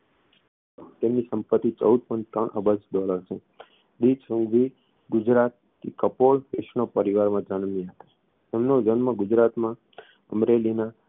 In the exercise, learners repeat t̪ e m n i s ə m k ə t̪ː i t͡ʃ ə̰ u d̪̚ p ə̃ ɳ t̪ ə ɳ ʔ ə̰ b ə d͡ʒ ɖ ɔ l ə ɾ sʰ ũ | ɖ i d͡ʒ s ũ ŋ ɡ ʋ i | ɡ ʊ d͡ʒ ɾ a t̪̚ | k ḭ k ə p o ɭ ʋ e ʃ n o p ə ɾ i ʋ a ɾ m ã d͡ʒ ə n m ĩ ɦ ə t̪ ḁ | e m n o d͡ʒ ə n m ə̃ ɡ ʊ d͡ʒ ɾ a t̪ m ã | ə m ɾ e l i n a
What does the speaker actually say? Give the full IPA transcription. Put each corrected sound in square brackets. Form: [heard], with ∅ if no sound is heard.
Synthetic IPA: t̪ e m n i s ə m [p] ə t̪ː i t͡ʃ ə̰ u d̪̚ p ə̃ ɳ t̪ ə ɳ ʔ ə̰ b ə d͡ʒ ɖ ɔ l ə ɾ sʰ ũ | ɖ i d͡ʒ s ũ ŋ ɡ ʋ i | ɡ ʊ d͡ʒ ɾ a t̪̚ | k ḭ k ə p o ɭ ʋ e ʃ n o p ə ɾ i ʋ a ɾ m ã d͡ʒ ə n m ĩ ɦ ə t̪ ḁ | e m n o d͡ʒ ə n m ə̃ ɡ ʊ d͡ʒ ɾ a t̪ m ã | ə m ɾ e l i n a

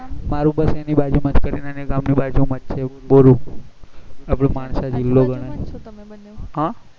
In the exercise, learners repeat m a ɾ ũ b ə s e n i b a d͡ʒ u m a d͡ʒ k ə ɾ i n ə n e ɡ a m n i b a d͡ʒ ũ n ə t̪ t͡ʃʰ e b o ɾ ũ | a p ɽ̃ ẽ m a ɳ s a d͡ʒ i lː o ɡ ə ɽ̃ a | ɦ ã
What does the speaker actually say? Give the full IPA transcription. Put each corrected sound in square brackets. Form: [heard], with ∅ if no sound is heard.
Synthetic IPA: m a ɾ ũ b ə s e n i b a d͡ʒ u m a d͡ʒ k ə ɾ i n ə n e ɡ a m n i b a d͡ʒ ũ [m] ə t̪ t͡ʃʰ e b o ɾ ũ | a p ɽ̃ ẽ m a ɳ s a d͡ʒ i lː o ɡ ə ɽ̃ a | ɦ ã

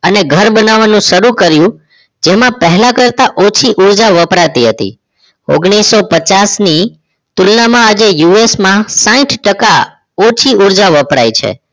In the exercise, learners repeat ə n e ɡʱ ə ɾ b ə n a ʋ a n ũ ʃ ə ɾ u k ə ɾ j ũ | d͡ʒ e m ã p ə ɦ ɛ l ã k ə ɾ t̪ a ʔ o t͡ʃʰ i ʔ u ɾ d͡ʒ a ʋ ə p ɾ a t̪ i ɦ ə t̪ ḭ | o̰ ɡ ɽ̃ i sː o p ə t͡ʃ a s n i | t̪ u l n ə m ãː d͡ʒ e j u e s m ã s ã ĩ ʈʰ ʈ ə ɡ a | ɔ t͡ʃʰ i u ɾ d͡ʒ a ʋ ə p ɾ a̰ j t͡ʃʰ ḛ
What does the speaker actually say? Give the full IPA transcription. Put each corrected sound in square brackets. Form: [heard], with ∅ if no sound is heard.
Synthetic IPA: ə n e ɡʱ ə ɾ b ə n a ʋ a n ũ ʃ ə ɾ u k ə ɾ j ũ | d͡ʒ e m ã p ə ɦ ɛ l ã k ə ɾ t̪ a ʔ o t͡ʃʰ i ʔ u ɾ d͡ʒ a ʋ ə p ɾ a t̪ i ɦ ə t̪ ḭ | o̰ ɡ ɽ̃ i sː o p ə t͡ʃ a s n i | t̪ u l n [a] m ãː d͡ʒ e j u e s m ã s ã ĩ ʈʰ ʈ ə [k] a | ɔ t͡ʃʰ i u ɾ d͡ʒ a ʋ ə p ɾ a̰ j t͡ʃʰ ḛ

